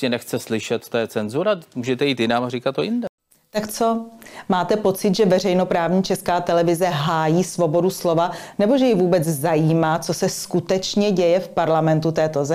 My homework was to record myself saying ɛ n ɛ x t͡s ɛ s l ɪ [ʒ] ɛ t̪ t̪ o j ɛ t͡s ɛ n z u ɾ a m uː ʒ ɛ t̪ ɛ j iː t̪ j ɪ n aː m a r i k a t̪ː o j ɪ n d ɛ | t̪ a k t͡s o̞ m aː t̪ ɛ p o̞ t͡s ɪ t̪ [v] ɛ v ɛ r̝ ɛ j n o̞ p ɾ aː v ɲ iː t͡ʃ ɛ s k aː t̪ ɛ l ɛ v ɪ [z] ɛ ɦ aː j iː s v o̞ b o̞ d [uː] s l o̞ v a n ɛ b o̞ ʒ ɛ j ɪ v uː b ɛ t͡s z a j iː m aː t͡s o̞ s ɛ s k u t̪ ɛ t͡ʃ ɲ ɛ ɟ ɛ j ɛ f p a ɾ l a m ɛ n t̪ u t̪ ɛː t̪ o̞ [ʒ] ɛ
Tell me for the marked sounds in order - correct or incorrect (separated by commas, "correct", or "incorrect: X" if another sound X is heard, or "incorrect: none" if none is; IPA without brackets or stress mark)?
incorrect: ʃ, incorrect: ʒ, correct, incorrect: u, incorrect: z